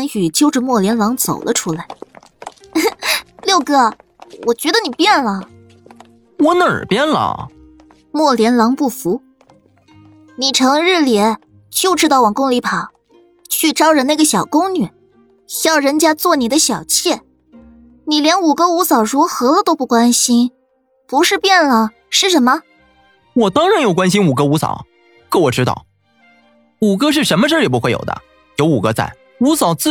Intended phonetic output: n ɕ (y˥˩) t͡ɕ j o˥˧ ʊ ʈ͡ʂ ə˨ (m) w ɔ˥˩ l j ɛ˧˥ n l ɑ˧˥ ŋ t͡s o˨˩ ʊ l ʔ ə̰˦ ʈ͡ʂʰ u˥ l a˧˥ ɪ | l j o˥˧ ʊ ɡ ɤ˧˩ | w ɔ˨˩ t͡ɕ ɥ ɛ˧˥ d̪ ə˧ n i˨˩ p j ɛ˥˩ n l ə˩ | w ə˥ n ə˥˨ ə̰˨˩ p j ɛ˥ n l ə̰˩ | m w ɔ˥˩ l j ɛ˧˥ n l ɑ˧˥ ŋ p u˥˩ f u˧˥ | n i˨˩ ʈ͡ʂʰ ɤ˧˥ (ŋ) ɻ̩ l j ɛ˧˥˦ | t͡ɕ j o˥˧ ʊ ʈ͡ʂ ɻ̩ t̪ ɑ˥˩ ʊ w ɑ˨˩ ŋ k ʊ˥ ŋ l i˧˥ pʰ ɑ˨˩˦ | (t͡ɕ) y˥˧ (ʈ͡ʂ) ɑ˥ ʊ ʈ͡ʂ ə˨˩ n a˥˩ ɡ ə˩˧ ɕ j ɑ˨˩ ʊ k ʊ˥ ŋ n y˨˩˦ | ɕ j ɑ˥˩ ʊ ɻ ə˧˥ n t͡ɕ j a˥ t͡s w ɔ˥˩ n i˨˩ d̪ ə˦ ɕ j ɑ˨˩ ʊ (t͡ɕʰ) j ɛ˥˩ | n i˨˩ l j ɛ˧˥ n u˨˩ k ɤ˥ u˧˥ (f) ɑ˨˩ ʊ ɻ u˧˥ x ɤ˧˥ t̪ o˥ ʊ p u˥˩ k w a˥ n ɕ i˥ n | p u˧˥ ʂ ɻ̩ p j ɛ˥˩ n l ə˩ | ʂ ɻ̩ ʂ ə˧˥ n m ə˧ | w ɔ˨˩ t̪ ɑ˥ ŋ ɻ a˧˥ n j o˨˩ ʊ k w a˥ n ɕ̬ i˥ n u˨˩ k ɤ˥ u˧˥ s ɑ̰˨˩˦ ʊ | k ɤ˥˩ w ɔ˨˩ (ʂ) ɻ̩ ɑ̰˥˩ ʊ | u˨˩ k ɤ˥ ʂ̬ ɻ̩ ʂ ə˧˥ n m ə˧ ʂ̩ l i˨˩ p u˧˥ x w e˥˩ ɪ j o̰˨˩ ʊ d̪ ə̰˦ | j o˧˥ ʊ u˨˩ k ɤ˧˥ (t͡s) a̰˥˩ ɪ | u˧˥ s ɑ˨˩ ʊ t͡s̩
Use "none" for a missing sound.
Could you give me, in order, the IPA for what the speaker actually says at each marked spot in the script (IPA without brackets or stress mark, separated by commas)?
y˨˩, m, ŋ, t͡ɕʰ, ʈ͡ʂ, t͡ɕʰ, s, ʈ͡ʂ, t͡s